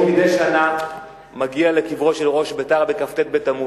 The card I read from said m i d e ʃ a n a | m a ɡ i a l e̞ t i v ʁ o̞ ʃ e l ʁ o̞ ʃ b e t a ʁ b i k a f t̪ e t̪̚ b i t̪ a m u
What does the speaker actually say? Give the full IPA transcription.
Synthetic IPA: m i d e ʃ a n a | m a ɡ i a l e̞ k i v ʁ o̞ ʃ e l ʁ o̞ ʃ b e t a ʁ b e k a f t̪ e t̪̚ b e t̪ a m u